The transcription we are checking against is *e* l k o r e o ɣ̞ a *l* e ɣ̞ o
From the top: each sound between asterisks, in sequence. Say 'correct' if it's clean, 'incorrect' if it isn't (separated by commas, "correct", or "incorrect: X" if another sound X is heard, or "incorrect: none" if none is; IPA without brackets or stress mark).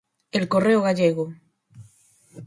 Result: correct, incorrect: ʎ